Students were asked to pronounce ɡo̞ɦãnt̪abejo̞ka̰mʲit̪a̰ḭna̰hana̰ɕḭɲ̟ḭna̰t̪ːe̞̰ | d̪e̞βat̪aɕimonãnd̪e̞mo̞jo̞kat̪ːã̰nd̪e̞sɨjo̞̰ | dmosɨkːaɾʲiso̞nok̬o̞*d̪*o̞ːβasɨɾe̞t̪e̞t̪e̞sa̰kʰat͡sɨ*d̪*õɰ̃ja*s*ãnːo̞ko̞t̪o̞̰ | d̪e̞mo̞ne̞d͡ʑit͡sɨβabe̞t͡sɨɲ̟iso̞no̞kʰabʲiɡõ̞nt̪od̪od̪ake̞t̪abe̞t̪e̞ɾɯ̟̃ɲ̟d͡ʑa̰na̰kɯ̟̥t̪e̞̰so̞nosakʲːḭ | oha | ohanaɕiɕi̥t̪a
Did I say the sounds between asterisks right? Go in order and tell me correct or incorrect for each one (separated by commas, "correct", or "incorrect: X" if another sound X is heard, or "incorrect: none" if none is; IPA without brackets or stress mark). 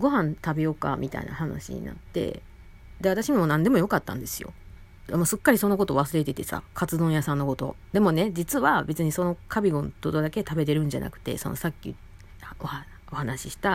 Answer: incorrect: t̪, correct, correct